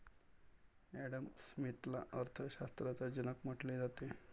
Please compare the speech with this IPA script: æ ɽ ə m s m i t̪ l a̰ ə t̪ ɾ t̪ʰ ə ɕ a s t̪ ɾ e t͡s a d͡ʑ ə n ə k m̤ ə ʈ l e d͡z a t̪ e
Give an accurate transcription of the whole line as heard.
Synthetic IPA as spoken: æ ɽ ə m s m i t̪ l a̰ ə ɾ t̪ʰ ə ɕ a s t̪ ɾ a t͡s a d͡ʑ ə n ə k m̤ ə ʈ l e d͡z a t̪ e